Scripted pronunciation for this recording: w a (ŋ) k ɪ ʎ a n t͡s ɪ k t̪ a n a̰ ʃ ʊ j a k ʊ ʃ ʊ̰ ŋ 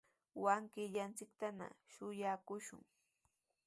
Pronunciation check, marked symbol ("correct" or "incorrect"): correct